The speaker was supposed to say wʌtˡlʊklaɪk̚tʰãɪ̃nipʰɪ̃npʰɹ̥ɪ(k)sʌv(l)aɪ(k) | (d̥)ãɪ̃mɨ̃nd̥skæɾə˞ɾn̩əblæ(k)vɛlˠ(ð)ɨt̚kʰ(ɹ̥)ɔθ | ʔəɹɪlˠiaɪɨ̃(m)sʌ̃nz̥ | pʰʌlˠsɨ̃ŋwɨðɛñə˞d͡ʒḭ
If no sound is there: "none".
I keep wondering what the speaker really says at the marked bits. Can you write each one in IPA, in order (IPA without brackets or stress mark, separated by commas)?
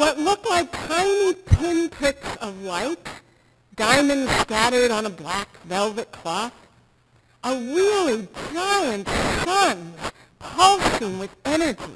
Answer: k, l, t, d̥, k, v, l̥, n